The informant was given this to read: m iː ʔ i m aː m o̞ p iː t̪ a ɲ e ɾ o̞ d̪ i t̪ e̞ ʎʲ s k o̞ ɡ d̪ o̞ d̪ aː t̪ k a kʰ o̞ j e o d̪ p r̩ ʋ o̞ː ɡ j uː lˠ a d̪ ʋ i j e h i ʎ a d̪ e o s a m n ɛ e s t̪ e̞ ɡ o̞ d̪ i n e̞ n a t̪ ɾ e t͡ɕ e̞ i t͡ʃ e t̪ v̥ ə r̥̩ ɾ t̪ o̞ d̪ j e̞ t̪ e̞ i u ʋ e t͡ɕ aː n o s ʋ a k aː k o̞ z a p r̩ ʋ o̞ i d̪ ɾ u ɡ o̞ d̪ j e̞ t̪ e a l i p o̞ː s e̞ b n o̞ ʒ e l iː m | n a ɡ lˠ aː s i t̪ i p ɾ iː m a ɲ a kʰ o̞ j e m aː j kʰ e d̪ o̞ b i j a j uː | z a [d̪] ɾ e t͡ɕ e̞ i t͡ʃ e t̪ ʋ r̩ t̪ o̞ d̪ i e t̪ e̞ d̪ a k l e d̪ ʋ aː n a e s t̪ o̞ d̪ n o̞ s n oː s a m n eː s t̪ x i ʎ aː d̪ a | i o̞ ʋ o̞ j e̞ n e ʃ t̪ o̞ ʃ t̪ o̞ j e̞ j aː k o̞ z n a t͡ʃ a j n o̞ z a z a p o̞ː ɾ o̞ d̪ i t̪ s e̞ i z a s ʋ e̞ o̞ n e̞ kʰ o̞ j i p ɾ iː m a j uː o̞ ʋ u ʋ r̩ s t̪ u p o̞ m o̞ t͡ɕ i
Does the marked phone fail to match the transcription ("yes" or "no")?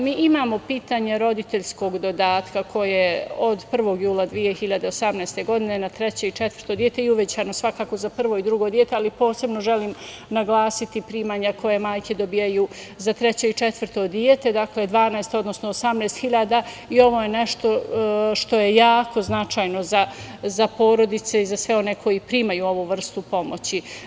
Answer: yes